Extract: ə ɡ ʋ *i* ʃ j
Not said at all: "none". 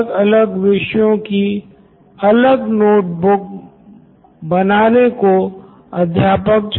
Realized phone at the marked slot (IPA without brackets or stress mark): ɪ